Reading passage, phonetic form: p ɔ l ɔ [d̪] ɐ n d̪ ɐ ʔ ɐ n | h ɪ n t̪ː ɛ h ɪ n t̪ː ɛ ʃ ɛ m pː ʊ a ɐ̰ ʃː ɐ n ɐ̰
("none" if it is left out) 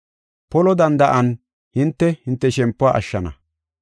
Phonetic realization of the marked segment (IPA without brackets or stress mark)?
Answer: d̪